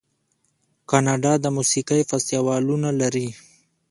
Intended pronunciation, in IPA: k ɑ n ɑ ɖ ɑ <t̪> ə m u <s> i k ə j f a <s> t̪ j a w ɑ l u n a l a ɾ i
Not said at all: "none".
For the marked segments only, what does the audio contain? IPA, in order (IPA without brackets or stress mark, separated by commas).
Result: d̪, s, s